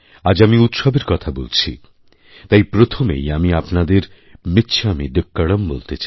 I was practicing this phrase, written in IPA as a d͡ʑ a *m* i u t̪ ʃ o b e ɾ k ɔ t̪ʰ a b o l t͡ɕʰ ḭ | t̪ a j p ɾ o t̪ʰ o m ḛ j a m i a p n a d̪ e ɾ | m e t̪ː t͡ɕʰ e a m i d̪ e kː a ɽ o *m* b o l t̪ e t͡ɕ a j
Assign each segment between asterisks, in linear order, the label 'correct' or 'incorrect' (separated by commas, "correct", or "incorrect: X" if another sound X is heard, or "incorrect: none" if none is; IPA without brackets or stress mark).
correct, correct